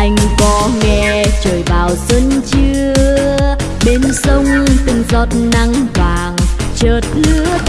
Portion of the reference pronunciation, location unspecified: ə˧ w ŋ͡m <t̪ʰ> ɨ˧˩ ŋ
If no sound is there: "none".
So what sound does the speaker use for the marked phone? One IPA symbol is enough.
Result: t̪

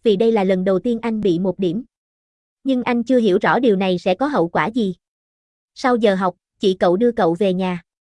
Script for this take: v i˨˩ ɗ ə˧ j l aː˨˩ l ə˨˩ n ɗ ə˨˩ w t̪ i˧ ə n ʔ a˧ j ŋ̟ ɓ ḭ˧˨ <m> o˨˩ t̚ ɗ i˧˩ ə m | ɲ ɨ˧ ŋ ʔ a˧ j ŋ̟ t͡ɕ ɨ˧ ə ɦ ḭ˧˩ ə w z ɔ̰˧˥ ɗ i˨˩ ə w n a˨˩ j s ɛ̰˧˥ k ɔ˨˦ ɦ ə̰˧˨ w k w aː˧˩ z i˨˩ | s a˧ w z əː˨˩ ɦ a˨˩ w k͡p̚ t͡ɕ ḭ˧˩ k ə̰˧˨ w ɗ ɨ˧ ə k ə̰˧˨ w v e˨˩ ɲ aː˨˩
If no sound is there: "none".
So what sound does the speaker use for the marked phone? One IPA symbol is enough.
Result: m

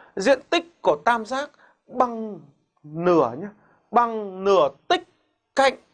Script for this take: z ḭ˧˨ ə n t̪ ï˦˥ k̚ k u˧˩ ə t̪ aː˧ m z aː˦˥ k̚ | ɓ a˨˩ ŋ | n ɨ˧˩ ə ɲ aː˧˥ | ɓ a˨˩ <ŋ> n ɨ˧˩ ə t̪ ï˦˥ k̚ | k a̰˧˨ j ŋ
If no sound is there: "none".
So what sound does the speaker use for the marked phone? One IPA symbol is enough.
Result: ŋ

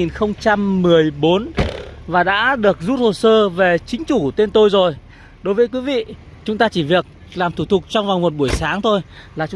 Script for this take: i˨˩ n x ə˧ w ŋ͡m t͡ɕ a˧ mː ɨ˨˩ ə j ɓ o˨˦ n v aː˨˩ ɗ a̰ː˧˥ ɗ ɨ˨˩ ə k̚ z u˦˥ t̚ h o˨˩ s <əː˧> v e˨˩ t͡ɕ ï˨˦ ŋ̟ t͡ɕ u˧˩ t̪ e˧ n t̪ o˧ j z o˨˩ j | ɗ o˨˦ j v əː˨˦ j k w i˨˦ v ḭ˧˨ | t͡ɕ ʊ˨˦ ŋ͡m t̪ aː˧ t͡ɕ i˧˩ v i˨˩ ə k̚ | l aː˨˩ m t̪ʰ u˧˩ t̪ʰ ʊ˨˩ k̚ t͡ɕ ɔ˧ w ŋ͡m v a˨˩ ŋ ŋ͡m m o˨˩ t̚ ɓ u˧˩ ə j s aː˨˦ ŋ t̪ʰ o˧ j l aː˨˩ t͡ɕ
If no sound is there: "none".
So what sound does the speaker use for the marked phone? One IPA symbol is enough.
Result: əː˧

